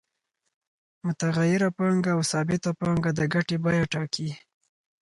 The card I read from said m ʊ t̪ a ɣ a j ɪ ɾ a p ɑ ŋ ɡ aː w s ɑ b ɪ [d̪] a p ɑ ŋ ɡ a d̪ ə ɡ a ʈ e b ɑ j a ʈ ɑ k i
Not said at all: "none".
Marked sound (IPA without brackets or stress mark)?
t̪